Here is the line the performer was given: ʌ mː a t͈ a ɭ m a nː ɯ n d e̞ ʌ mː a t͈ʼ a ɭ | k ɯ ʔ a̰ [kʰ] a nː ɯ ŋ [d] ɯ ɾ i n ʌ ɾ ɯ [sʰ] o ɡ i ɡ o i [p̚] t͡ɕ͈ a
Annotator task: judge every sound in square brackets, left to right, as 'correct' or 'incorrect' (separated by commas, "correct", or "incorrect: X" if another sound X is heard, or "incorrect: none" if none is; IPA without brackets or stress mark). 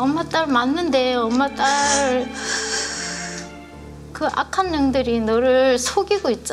correct, correct, correct, incorrect: t̚